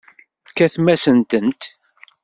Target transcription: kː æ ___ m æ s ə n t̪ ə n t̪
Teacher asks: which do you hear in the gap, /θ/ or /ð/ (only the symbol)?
θ